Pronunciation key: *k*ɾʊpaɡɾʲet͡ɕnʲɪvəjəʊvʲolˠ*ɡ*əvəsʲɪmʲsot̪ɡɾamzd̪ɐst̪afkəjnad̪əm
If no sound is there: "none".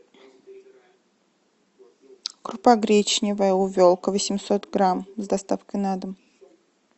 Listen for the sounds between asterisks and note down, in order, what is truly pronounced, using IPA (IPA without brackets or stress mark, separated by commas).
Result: k, k